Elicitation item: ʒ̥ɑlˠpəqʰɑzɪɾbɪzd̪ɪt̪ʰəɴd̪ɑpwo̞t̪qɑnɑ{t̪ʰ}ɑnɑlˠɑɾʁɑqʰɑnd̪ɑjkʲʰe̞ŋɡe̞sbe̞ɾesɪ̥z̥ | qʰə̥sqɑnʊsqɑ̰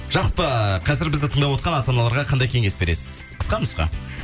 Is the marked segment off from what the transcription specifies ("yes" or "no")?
yes